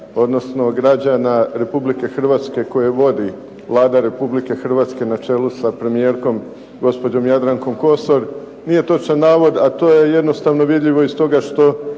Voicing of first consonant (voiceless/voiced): voiced